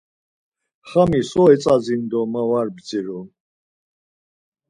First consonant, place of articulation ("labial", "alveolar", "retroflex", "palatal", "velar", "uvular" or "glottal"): uvular